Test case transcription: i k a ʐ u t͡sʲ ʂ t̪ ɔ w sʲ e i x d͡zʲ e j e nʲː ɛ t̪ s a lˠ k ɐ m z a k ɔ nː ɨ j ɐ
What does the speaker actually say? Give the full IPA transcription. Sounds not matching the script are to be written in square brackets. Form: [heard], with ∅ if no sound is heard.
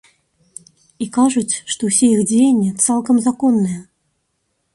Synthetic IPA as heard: i k a ʐ u t͡sʲ ʂ t̪ ɔ w sʲ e i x d͡zʲ e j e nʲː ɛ t̪ s a lˠ k ɐ m z a k ɔ nː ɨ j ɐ